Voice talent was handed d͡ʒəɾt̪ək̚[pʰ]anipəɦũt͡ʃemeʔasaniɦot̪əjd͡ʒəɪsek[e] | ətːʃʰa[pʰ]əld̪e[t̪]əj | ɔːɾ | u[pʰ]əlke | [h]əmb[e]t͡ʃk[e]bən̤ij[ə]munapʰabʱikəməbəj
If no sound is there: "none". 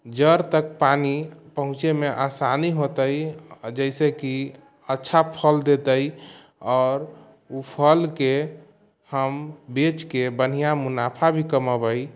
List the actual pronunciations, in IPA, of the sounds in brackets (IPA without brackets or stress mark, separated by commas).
p, i, pʰ, t̪, pʰ, h, e, e, a